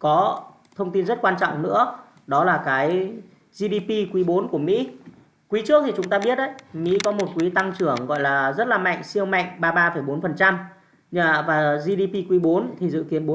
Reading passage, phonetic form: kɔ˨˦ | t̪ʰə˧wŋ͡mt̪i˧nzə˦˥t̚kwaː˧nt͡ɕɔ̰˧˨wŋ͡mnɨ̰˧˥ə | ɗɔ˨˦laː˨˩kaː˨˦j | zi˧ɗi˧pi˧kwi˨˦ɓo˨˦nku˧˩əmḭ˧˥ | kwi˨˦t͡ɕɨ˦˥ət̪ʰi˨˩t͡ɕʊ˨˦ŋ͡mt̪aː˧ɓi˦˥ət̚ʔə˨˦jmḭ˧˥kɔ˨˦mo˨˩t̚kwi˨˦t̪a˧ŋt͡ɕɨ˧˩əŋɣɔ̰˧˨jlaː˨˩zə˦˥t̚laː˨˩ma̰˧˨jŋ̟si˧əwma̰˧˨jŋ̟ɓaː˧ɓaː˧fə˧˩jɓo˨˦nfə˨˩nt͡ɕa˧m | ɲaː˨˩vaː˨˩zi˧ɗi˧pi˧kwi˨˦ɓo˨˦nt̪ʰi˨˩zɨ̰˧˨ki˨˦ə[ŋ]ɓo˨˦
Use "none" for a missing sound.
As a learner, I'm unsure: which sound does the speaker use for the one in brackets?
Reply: n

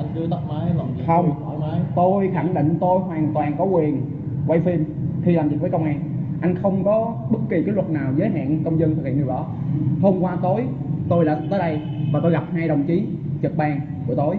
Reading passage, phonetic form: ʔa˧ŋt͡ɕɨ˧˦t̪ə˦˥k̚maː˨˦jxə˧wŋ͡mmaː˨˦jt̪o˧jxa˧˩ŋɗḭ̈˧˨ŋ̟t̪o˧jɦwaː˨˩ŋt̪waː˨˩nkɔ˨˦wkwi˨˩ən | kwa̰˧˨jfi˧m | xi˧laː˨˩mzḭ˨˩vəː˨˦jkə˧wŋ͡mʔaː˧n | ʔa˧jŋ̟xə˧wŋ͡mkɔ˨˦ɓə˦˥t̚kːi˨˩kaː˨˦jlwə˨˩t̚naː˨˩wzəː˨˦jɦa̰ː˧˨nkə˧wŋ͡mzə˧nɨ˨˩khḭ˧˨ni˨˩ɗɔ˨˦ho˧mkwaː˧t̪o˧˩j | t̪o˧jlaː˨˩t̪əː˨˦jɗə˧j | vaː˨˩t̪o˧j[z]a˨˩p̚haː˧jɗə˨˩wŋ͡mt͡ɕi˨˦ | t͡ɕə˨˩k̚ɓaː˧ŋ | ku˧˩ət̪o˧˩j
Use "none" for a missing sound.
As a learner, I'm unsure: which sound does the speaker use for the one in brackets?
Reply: ɣ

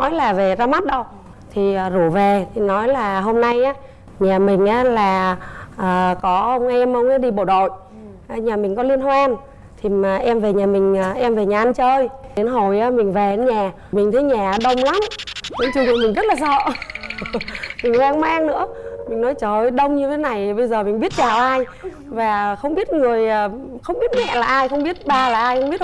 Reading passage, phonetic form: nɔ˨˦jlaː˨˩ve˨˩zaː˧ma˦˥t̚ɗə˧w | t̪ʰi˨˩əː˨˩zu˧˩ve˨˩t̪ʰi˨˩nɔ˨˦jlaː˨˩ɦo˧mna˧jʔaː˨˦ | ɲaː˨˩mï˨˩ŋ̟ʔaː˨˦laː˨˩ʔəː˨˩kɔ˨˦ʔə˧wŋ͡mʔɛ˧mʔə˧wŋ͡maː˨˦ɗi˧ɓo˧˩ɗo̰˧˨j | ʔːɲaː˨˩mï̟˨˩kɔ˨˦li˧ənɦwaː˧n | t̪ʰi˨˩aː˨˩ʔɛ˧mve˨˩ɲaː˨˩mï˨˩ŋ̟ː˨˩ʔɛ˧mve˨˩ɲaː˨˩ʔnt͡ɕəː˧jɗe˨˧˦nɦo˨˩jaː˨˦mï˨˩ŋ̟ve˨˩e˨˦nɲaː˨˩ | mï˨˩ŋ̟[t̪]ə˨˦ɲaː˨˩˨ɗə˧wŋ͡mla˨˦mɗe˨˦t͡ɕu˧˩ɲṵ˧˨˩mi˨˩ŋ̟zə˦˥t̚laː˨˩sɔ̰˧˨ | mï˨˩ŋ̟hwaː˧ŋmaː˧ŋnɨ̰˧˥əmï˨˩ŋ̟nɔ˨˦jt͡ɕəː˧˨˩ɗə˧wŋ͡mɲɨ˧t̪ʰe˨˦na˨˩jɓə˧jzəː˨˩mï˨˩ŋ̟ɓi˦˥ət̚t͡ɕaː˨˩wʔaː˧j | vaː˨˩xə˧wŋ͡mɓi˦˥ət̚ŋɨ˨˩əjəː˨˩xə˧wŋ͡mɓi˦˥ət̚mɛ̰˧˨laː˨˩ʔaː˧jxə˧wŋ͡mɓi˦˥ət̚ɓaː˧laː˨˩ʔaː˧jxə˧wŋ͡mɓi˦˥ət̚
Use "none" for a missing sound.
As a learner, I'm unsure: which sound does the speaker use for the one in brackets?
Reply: t̪ʰ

